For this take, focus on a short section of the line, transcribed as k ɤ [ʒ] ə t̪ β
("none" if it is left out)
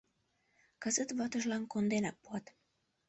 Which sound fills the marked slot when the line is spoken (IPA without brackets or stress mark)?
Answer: z